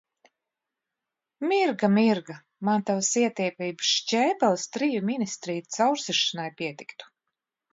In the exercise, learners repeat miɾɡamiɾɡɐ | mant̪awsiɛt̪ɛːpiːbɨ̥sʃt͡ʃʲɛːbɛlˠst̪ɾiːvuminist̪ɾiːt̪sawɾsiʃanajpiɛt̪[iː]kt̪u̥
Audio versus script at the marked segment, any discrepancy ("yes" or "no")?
yes